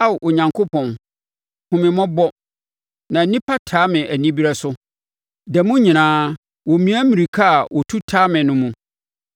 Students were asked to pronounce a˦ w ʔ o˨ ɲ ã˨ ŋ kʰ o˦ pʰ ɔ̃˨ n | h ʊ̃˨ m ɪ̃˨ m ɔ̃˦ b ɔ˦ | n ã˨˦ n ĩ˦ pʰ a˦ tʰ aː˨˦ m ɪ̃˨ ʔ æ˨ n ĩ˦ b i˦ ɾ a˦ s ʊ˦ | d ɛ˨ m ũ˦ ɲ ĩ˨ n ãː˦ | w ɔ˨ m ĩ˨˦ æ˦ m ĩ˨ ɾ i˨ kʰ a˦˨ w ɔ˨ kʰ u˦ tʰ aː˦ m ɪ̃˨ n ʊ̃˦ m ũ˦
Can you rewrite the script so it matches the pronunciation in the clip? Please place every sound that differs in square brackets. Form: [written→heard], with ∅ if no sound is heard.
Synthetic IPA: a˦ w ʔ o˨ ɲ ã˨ ŋ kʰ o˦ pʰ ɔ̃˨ n | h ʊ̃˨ m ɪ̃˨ m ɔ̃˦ b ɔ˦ | n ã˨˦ n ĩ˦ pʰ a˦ tʰ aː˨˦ m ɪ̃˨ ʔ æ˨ n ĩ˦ b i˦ ɾ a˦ s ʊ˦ | d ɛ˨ m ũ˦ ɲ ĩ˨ n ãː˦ | w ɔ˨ m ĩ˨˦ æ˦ m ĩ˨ ɾ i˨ kʰ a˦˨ w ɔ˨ [kʰ→tʰ] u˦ tʰ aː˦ m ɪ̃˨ n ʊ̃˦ m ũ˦